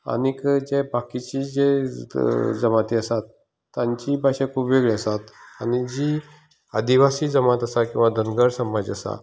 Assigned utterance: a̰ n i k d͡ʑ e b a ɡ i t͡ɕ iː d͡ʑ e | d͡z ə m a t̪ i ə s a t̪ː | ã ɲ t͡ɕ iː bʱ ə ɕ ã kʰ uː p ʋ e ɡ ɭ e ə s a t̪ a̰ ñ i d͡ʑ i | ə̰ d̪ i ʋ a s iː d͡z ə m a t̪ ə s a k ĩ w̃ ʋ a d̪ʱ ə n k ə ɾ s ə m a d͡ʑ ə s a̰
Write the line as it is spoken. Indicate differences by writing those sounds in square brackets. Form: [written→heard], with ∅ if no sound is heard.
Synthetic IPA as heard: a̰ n i k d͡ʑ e b a [ɡ→k] i t͡ɕ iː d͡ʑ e | d͡z ə m a t̪ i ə s a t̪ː | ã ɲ t͡ɕ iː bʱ [ə→a] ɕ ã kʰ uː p ʋ e ɡ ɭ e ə s a t̪ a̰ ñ i d͡ʑ i | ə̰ d̪ i ʋ a s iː d͡z ə m a t̪ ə s a k ĩ w̃ ʋ a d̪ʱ ə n [k→ɡ] ə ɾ s ə m a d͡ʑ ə s a̰